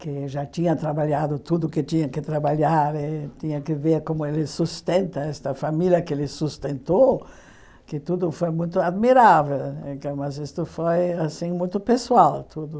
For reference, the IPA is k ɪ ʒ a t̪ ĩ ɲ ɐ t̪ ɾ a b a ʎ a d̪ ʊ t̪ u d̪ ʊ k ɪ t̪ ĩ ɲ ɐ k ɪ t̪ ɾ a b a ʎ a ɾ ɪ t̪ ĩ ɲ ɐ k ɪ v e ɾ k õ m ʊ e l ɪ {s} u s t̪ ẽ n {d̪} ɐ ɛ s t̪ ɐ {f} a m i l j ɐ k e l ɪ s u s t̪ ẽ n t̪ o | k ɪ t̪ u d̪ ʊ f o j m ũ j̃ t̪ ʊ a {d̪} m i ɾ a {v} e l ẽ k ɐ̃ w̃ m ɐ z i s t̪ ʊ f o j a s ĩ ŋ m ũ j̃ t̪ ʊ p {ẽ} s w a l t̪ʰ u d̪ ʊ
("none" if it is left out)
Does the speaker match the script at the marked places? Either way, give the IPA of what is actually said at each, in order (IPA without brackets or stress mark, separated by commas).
s, t̪, f, d̪, v, e